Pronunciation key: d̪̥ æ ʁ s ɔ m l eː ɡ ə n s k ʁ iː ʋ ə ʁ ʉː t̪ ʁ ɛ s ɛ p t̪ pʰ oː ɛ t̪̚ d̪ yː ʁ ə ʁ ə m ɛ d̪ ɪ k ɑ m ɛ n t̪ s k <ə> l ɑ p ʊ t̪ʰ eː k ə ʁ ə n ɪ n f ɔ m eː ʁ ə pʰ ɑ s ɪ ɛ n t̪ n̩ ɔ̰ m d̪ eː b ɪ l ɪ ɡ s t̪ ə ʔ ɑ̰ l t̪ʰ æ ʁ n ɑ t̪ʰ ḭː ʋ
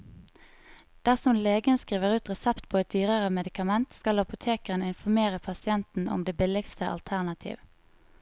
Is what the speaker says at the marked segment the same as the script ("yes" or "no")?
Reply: no